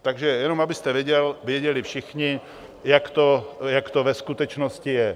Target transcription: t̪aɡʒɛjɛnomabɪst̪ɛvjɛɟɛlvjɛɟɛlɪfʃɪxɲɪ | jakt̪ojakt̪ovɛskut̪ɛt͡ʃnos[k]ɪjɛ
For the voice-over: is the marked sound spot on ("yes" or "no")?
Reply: no